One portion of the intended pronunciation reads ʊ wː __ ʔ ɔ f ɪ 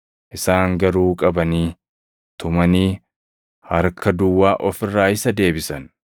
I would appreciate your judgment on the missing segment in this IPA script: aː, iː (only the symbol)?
aː